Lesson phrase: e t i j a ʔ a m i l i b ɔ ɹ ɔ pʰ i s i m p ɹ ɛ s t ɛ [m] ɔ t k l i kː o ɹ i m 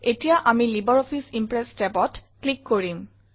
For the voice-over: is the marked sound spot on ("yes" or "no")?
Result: no